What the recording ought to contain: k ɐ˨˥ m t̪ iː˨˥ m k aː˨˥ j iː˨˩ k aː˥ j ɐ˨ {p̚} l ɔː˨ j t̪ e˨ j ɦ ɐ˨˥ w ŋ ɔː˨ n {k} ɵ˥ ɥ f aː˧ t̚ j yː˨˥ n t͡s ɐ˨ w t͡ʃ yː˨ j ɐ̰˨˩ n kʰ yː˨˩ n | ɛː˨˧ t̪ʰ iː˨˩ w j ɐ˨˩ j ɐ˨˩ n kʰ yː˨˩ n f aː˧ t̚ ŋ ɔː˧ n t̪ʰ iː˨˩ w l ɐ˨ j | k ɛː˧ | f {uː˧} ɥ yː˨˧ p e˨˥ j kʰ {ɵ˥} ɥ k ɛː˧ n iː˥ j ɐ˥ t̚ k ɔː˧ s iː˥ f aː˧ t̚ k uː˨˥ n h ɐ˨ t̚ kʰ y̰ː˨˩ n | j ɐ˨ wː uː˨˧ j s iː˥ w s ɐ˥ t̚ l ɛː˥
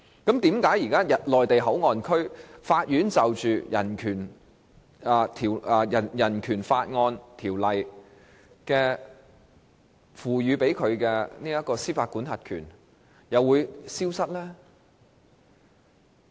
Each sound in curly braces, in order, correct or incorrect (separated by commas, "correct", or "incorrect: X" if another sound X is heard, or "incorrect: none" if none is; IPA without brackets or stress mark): incorrect: t̚, incorrect: kʰ, incorrect: uː˨˩, incorrect: ɵ˨˧